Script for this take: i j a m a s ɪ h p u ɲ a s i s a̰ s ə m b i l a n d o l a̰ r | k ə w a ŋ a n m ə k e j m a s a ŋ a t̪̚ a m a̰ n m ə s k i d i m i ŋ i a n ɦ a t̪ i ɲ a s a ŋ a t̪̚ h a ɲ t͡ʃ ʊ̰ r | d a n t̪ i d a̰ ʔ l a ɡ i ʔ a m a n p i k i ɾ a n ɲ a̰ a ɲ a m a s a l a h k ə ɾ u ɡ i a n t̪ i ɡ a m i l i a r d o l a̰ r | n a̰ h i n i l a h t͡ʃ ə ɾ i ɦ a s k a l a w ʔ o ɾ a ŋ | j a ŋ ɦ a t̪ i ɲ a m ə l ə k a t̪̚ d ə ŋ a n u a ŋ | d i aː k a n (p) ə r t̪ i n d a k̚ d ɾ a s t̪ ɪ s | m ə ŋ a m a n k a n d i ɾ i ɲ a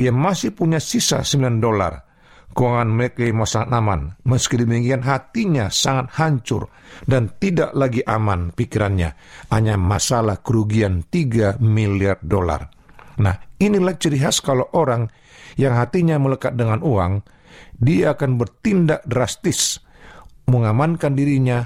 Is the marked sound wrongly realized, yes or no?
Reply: yes